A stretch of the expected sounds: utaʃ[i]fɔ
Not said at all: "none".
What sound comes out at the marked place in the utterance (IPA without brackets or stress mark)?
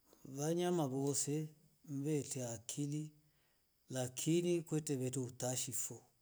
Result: i